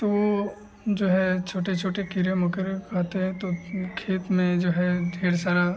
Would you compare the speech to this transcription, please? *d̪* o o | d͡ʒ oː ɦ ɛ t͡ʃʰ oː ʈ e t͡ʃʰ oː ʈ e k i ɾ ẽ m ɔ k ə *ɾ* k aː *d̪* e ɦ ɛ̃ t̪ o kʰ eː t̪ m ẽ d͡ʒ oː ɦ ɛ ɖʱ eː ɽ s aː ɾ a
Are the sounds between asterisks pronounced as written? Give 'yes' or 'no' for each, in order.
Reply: no, yes, no

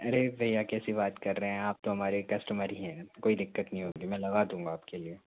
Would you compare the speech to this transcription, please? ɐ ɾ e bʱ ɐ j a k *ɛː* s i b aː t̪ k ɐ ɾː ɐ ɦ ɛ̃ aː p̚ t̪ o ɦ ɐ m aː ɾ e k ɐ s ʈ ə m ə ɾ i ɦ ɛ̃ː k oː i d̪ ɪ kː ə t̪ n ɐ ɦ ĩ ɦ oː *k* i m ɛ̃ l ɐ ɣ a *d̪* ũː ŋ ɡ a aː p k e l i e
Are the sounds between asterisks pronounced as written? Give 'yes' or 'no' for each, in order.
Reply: yes, no, yes

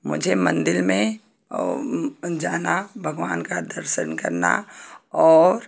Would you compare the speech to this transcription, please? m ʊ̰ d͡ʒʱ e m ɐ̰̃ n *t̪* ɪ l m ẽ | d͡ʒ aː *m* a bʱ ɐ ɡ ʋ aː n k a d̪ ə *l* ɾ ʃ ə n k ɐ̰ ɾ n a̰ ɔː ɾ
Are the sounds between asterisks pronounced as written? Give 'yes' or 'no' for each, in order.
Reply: no, no, no

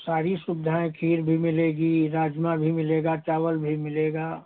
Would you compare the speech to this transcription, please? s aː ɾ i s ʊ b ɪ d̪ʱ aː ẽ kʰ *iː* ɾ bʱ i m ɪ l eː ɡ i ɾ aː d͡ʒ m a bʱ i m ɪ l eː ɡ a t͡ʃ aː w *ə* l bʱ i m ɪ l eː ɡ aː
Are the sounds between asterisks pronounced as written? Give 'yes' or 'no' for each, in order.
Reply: yes, yes

